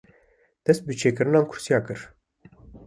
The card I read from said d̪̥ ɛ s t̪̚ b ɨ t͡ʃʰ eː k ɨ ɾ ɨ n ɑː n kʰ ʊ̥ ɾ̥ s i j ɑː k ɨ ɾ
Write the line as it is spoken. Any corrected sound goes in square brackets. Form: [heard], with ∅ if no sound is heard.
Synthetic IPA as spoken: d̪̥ ɛ s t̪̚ b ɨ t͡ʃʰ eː k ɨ ɾ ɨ n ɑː n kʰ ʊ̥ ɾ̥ s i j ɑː k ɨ ɾ